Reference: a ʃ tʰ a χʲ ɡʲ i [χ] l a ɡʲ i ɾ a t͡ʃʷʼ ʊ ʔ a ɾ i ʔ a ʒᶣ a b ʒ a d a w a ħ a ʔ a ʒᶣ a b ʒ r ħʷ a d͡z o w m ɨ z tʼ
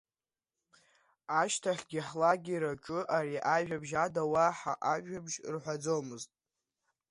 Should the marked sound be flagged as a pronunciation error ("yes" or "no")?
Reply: yes